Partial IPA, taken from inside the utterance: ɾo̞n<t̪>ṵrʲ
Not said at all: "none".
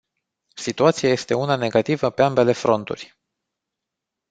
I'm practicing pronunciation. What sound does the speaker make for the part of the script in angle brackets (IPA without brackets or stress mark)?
t̪